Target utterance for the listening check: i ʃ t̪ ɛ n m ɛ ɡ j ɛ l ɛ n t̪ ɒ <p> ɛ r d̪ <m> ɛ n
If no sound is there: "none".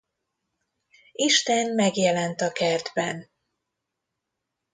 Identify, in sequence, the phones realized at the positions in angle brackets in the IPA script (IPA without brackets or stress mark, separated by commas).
k, b